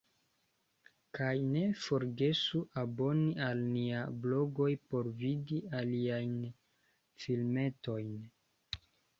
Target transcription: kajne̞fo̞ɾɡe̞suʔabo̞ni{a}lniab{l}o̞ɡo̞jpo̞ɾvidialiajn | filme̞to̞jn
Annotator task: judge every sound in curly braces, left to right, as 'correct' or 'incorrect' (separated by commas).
correct, correct